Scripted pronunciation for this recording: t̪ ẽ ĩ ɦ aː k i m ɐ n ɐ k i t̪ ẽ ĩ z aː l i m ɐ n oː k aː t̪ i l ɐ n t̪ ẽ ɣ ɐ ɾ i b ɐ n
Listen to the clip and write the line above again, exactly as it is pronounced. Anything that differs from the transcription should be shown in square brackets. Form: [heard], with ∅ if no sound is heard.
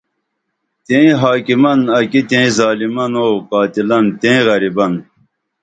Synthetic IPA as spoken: t̪ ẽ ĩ ɦ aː k i m ɐ n ɐ k i t̪ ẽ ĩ z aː l i m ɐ n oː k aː t̪ i l ɐ n t̪ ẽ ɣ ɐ ɾ i b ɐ n